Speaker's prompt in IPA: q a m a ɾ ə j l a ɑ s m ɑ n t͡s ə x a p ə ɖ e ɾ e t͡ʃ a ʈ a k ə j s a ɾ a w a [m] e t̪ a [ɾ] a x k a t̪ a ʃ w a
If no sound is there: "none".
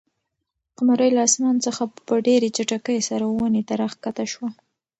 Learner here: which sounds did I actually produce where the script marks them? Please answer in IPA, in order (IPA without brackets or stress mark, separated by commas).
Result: n, ɾ